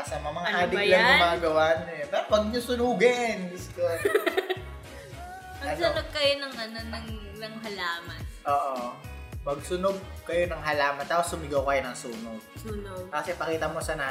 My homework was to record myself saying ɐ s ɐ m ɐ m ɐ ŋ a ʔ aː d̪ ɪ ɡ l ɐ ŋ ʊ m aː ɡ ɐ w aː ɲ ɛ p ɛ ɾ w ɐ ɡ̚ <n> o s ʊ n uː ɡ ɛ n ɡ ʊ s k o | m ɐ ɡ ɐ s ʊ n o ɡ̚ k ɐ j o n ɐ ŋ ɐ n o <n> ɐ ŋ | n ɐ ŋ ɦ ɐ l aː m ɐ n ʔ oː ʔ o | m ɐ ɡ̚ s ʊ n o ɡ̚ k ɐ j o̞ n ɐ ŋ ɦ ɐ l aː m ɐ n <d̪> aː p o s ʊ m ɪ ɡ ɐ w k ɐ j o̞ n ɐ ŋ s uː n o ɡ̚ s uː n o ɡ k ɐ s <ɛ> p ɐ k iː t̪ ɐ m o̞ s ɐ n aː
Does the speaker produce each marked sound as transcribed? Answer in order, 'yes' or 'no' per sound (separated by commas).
no, yes, no, yes